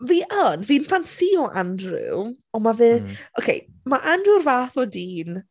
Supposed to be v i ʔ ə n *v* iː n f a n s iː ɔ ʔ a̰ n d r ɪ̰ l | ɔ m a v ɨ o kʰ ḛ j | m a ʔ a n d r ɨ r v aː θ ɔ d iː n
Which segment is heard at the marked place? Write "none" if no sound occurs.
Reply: v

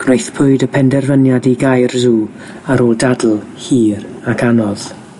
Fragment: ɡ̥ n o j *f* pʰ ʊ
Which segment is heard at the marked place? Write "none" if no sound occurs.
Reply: θ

